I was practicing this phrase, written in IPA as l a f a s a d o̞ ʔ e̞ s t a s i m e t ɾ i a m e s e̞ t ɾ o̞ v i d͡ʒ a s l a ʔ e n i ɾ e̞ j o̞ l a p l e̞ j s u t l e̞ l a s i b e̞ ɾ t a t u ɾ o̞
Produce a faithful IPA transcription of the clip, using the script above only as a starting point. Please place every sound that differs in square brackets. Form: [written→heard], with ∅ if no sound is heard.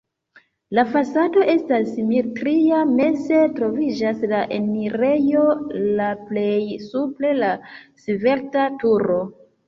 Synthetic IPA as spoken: l a f a s a d o̞ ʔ e̞ s t a s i m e t ɾ i a m e s e̞ t ɾ o̞ v i d͡ʒ a s l a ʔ e n i ɾ e̞ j o̞ l a p l e̞ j s u [t→p] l e̞ l a s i [b→v] e̞ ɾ t a t u ɾ o̞